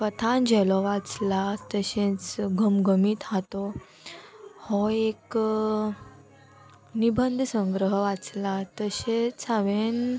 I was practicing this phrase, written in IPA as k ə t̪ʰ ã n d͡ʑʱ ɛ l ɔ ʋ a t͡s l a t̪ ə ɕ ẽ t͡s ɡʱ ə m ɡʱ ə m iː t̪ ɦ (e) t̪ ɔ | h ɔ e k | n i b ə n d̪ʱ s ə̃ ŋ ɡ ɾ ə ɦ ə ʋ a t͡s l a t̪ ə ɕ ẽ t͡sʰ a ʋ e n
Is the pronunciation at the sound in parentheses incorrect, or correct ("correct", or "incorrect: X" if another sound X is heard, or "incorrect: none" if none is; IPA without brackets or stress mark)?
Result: incorrect: a